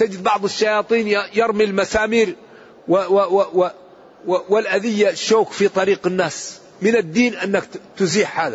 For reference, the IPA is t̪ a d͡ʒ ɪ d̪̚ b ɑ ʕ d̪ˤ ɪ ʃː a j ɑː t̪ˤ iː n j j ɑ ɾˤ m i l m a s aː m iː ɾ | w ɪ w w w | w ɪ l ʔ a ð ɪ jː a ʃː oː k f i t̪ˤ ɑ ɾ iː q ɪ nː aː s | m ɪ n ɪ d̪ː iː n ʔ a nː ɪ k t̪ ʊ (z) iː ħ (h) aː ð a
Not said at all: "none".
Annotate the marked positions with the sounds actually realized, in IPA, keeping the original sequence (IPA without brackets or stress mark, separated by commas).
z, h